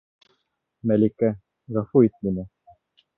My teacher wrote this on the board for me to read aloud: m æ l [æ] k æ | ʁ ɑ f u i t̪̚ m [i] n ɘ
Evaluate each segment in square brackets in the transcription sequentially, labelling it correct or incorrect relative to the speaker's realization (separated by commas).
incorrect, correct